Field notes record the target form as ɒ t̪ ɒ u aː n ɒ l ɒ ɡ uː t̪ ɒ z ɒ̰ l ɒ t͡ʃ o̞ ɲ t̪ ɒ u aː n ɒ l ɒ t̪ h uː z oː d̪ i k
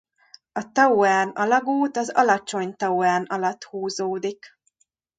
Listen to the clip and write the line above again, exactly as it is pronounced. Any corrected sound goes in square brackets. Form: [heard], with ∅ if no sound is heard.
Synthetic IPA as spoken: ɒ t̪ ɒ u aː n ɒ l ɒ ɡ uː t̪ ɒ z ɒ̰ l ɒ t͡ʃ o̞ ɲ t̪ ɒ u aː n ɒ l ɒ t̪ h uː z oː d̪ i k

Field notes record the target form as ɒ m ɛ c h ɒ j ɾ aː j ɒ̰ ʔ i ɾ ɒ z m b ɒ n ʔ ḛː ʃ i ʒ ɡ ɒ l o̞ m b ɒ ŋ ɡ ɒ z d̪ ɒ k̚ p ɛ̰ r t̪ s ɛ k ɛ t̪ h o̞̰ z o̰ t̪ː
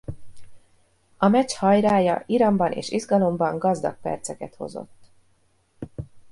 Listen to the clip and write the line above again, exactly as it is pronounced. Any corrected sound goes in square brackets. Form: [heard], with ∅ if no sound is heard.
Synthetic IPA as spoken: ɒ m ɛ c h ɒ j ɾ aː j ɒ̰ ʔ i ɾ ɒ [∅] m b ɒ n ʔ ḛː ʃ i [z] ɡ ɒ l o̞ m b ɒ ŋ ɡ ɒ z d̪ ɒ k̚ p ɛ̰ r t̪ s ɛ k ɛ t̪ h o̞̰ z o̰ t̪ː

